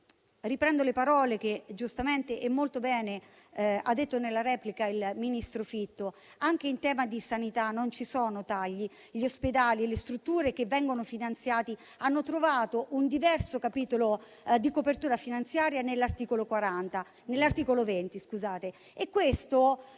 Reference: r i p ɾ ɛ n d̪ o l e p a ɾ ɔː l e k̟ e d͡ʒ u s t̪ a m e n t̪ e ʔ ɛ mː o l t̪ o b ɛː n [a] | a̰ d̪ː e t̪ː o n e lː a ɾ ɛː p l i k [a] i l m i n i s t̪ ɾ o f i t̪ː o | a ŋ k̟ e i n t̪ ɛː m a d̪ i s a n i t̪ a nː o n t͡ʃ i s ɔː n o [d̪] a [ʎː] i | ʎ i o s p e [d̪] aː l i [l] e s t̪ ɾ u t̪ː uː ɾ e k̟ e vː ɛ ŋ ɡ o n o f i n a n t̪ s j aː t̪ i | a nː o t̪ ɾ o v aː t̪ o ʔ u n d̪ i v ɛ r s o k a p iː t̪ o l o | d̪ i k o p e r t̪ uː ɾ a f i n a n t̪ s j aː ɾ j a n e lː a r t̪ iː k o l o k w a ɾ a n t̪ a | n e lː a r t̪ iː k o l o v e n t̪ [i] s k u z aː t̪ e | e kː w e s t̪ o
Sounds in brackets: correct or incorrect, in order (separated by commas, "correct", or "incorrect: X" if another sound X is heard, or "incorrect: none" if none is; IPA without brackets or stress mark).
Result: incorrect: e, correct, incorrect: t̪, correct, correct, correct, correct